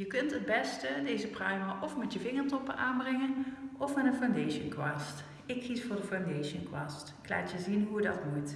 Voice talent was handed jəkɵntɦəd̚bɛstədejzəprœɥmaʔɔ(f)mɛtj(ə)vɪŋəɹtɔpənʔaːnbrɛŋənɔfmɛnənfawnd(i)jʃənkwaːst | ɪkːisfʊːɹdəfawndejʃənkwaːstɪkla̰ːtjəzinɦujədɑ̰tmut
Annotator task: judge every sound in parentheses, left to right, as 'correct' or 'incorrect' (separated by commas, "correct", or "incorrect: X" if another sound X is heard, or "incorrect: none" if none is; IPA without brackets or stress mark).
correct, correct, incorrect: e